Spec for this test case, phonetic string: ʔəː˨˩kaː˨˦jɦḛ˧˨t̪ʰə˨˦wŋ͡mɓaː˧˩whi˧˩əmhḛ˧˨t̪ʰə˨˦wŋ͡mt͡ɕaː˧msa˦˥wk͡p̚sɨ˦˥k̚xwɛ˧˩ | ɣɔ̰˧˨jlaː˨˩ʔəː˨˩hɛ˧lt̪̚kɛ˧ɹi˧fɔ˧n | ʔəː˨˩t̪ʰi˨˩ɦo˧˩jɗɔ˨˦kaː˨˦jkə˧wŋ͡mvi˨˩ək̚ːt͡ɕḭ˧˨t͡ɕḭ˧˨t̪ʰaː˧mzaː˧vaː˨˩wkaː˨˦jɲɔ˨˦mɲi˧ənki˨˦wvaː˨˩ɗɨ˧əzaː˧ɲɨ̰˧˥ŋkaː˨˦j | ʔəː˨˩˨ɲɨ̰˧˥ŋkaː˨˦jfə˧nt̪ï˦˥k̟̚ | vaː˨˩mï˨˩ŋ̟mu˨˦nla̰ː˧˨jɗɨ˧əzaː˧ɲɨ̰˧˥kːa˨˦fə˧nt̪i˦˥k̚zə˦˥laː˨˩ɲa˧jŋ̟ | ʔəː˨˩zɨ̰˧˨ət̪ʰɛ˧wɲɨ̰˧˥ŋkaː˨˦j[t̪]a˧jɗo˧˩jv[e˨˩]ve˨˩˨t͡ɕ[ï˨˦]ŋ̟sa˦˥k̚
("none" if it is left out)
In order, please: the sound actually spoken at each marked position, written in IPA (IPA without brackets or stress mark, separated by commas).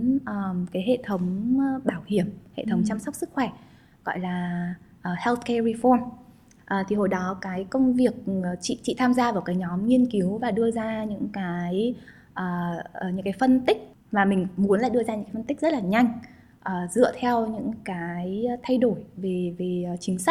t̪ʰ, e˨˩, ï˨˦